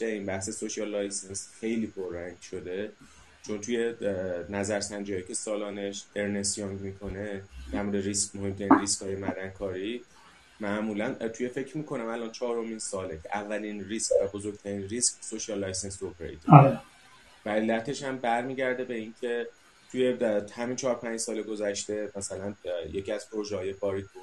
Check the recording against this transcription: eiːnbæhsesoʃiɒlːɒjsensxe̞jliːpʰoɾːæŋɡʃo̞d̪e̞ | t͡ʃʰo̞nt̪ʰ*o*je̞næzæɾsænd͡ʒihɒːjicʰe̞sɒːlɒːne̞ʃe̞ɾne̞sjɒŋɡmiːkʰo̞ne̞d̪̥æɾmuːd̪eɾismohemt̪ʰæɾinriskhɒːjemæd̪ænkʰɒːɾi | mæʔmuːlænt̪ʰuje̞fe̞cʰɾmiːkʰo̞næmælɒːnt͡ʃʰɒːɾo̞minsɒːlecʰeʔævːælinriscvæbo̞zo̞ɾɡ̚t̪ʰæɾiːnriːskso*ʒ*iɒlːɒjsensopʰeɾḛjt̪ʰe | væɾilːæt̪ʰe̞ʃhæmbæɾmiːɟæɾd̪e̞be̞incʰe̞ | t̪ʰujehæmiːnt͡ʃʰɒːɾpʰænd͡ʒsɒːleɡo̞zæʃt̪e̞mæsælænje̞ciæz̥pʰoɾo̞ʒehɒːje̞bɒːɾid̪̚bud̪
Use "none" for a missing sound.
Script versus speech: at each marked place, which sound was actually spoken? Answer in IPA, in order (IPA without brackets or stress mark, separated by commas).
u, ʃ